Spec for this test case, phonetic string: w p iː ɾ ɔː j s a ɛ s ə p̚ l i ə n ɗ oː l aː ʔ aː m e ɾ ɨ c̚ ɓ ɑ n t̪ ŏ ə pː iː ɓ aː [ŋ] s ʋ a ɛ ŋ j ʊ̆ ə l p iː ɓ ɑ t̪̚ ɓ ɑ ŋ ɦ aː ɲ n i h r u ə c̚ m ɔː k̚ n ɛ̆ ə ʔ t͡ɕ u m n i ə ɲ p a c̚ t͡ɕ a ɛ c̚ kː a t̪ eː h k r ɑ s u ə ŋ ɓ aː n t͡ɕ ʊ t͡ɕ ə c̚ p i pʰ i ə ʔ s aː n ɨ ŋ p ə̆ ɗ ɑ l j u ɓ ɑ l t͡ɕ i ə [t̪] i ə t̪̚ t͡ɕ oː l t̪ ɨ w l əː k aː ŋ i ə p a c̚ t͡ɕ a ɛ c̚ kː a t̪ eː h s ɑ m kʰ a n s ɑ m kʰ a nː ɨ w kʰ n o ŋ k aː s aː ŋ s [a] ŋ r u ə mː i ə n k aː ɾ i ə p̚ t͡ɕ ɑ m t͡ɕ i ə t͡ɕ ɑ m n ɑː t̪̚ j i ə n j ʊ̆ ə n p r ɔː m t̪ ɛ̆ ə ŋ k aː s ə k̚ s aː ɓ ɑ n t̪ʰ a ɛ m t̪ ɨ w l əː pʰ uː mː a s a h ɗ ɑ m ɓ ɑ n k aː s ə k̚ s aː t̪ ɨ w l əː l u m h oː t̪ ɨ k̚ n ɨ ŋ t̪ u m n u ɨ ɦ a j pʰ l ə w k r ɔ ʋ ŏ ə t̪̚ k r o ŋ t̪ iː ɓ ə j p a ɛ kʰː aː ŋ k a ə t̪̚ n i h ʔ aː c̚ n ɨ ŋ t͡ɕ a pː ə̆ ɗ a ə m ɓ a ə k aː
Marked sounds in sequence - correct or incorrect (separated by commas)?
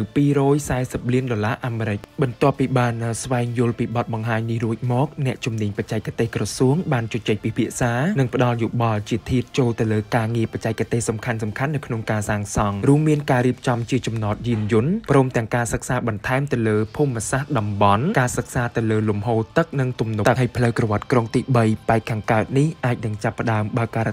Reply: incorrect, incorrect, incorrect